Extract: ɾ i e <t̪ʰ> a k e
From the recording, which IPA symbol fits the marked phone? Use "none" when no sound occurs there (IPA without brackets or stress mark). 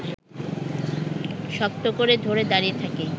t̪ʰ